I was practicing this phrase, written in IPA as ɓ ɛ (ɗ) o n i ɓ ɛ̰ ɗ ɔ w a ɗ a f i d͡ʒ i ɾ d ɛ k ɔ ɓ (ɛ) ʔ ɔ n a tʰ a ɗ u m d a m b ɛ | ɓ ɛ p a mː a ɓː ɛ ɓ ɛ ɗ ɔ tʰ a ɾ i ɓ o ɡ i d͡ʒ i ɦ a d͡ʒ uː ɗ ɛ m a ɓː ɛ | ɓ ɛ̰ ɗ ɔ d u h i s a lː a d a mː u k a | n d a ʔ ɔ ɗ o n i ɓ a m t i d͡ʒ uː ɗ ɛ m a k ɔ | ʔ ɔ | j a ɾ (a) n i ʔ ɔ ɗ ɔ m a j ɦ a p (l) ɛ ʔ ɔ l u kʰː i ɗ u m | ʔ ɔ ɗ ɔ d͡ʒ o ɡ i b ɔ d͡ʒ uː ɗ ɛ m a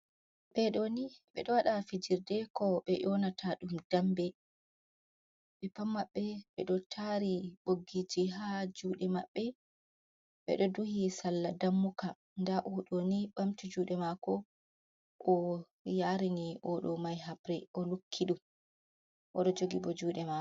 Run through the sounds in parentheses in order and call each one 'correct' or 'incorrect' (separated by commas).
correct, correct, incorrect, incorrect